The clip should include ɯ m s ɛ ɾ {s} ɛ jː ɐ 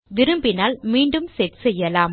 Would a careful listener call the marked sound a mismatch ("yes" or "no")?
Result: no